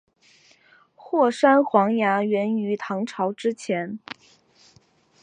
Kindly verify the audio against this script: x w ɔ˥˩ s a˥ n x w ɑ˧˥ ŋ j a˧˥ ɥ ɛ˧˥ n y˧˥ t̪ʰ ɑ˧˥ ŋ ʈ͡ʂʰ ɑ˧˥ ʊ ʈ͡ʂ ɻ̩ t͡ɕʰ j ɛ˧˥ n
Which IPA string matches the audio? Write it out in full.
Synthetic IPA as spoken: x w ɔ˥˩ ʂ a˥ n x w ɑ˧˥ ŋ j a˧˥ ɥ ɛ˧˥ n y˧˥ t̪ʰ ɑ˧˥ ŋ ʈ͡ʂʰ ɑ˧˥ ʊ ʈ͡ʂ ɻ̩ t͡ɕʰ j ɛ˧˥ n